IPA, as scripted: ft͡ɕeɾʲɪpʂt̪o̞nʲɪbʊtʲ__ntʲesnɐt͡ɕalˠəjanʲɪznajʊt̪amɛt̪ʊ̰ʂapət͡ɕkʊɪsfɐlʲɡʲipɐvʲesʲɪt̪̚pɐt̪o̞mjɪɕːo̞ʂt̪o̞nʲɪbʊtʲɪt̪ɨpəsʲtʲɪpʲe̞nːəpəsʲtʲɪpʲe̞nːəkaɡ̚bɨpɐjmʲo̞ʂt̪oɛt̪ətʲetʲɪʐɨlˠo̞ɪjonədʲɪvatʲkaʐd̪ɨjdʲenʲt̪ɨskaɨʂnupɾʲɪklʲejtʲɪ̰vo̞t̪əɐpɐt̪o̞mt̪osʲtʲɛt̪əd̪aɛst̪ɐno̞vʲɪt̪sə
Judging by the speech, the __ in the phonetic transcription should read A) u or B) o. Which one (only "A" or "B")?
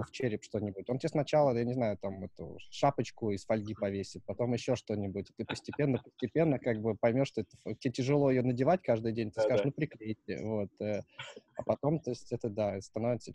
B